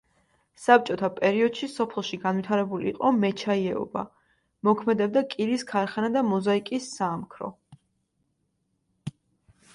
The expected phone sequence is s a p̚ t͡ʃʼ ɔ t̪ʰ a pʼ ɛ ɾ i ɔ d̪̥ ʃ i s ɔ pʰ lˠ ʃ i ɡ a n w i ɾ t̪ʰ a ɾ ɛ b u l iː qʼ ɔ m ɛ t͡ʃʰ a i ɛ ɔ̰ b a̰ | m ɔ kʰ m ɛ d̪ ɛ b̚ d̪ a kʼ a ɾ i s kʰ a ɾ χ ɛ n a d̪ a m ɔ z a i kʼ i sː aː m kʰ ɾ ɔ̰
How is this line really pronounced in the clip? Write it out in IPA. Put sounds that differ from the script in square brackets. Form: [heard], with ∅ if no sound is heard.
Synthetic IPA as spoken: s a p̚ t͡ʃʼ ɔ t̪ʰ a pʼ ɛ ɾ i ɔ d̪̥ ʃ i s ɔ pʰ lˠ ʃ i ɡ a n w i [∅] t̪ʰ a ɾ ɛ b u l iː qʼ ɔ m ɛ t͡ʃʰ a i ɛ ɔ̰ b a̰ | m ɔ kʰ m ɛ d̪ ɛ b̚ d̪ a kʼ [i] ɾ i s kʰ a ɾ χ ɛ n a d̪ a m ɔ z a i kʼ i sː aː m kʰ ɾ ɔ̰